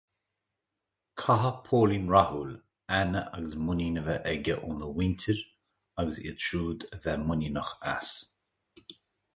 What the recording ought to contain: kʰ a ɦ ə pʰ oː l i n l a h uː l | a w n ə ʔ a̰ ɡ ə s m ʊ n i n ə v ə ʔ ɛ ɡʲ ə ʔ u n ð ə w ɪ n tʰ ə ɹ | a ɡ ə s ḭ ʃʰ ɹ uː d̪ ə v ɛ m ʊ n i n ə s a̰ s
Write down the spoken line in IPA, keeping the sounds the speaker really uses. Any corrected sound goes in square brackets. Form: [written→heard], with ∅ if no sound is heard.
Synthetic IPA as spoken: kʰ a ɦ ə pʰ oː l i n [l→ɹ] a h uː l | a [w→∅] n ə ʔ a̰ ɡ ə s m ʊ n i n ə v ə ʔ ɛ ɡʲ ə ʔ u n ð ə w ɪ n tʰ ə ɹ | a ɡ ə s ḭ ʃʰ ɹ uː d̪ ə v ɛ m ʊ n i n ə [s→x] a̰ s

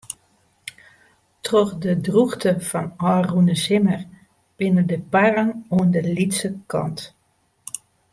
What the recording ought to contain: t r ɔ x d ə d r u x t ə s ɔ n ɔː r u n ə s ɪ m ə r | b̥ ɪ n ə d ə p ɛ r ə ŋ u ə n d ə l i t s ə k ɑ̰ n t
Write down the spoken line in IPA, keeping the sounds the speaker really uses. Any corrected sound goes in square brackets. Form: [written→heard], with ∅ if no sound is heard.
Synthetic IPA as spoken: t r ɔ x d ə d r u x t ə [s→f] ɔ n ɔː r u n ə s ɪ m ə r | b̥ ɪ n ə d ə p [ɛ→a] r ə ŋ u ə n d ə l i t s ə k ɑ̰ n t

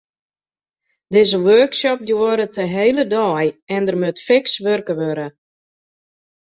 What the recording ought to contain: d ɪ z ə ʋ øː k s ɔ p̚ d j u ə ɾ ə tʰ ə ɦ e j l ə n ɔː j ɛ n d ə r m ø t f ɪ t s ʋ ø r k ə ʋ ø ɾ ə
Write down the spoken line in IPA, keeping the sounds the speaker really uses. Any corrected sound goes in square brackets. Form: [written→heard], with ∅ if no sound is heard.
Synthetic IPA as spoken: d ɪ z ə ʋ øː k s ɔ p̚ d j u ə ɾ ə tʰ ə ɦ e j l ə [n→d] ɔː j ɛ n d ə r m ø t f ɪ [t→k] s ʋ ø r k ə ʋ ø ɾ ə

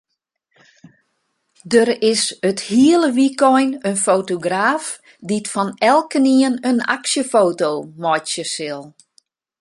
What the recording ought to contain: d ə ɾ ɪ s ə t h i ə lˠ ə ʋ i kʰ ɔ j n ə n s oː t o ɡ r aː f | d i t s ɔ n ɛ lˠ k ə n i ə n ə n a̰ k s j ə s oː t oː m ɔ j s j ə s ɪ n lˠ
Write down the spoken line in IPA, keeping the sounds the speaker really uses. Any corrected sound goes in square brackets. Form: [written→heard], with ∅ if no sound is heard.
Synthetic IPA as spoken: d ə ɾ ɪ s ə t h i ə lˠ ə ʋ i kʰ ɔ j n ə n [s→f] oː t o ɡ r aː f | d i t [s→f] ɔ n ɛ lˠ k ə n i ə n ə n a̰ k s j ə [s→f] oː t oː m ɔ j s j ə s ɪ [n→∅] lˠ

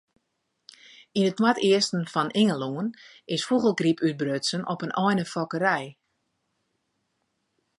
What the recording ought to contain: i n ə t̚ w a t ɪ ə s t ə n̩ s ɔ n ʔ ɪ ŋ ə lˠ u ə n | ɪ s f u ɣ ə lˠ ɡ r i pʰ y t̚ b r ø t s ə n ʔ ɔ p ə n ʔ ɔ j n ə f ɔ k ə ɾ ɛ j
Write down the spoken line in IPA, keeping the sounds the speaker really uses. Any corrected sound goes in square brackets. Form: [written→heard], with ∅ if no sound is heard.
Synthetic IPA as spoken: i n ə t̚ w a t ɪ ə s t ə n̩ [s→f] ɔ n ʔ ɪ ŋ ə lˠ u ə n | ɪ s f u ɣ ə lˠ ɡ r i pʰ y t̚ b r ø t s ə n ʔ ɔ p ə n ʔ ɔ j n ə f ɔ k ə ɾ ɛ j

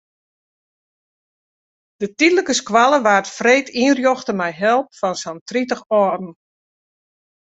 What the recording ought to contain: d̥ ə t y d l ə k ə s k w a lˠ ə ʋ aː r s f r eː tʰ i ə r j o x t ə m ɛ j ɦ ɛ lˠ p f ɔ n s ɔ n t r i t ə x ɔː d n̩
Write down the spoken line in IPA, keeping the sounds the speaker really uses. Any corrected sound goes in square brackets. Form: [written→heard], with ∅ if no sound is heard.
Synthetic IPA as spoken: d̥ ə t [y→i] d l ə k ə s k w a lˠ ə ʋ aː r [s→t] f r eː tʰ i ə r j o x t ə m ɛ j ɦ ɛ lˠ p f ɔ n s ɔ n t r i t ə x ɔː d n̩

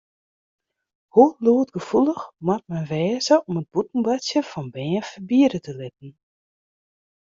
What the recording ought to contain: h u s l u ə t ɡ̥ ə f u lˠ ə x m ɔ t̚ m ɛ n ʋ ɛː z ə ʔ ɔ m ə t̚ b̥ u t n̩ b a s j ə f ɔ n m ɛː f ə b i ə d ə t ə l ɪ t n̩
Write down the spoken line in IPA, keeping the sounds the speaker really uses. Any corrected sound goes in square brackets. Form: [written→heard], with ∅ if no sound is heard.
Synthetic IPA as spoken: h u [s→∅] l u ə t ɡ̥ ə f u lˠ ə x m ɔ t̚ m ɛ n ʋ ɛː z ə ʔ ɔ m ə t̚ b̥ u t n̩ b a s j ə f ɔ n [m→b] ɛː f ə b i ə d ə t ə l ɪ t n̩

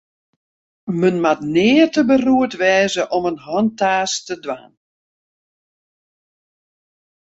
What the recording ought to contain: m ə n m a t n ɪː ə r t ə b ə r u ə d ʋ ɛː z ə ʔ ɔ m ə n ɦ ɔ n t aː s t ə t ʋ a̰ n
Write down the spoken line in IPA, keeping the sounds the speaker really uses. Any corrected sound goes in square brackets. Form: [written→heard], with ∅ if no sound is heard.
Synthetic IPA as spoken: m ə n m a t n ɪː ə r t ə b ə r u ə [d→t] ʋ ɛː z ə ʔ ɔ m ə n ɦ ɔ n t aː s t ə [t→d] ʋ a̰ n

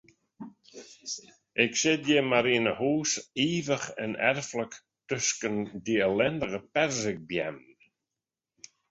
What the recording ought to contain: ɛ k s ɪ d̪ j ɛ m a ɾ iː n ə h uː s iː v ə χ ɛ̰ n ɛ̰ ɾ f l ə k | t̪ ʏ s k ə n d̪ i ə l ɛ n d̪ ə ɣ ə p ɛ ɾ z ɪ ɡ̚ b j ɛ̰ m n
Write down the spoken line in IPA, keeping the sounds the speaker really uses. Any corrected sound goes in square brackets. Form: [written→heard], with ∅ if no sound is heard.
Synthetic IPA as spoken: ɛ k s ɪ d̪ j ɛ m a ɾ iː n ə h uː s iː v ə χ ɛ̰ n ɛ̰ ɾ f l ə k | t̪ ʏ s k ə n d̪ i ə l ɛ n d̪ ə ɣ ə p ɛ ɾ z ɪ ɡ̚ b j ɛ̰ m n

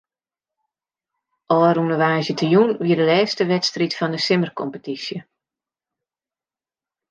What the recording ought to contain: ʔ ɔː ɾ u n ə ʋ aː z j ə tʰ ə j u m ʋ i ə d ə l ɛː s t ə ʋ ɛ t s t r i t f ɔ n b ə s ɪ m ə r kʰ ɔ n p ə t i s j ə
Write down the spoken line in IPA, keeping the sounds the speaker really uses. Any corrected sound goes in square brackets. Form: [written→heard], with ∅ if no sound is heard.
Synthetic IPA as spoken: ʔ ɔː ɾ u n ə ʋ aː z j ə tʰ ə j u [m→n] ʋ i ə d ə l ɛː s t ə ʋ ɛ t s t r i t f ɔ n [b→d] ə s ɪ m ə r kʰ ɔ [n→m] p ə t i s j ə

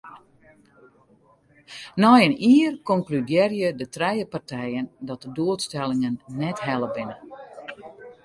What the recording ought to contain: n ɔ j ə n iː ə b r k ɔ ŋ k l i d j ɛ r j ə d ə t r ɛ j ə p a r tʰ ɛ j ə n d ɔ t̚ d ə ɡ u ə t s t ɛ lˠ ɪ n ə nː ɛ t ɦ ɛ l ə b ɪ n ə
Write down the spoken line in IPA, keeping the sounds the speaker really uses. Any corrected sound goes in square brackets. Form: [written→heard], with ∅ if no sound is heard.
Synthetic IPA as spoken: n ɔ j ə n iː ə [b→∅] r k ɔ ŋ k l [i→y] d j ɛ r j ə d ə t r ɛ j ə p a r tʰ ɛ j ə n d ɔ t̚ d ə [ɡ→d] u ə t s t ɛ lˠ ɪ [n→ŋ] ə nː ɛ t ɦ ɛ l ə b ɪ n ə

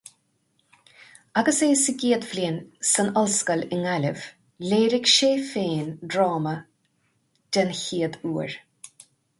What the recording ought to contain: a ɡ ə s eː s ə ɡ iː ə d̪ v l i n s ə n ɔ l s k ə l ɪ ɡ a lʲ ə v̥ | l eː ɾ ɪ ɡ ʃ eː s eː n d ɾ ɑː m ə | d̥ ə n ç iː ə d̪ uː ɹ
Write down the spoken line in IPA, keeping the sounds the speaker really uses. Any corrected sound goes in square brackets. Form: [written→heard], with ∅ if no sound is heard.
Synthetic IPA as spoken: a ɡ ə s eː s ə ɡ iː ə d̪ v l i n s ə n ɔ l s k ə l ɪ [ɡ→ŋ] a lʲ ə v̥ | l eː ɾ ɪ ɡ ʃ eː [s→f] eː n d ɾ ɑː m ə | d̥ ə n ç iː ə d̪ uː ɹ

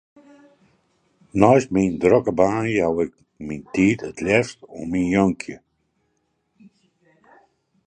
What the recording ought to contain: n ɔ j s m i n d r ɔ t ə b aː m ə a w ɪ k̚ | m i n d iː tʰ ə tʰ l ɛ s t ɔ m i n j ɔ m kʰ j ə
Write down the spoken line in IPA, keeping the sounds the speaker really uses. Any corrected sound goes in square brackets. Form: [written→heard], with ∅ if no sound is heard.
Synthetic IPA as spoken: n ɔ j s m i n d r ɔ [t→k] ə b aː [m→n] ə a w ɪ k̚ | m i n [d→t] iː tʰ ə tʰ l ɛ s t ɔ m i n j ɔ [m→ŋ] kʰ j ə

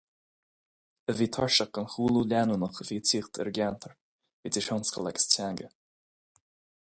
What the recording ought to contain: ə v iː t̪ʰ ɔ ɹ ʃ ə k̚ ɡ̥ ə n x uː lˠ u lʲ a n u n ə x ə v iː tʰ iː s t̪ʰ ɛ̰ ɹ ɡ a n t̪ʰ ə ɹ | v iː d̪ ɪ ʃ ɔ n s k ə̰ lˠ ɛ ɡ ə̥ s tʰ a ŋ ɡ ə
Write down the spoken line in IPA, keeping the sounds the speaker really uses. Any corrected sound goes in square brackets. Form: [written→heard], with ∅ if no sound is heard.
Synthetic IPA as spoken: ə v iː t̪ʰ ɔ ɹ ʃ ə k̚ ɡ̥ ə n x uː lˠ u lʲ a n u n ə x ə v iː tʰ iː [s→x] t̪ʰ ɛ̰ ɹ ɡ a n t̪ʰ ə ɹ | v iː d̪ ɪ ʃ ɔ n s k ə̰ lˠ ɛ ɡ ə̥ s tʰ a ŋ ɡ ə

